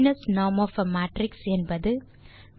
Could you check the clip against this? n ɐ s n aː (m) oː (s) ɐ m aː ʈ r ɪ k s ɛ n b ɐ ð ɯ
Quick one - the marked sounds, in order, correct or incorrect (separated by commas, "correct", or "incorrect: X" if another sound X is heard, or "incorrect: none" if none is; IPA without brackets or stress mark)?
correct, incorrect: f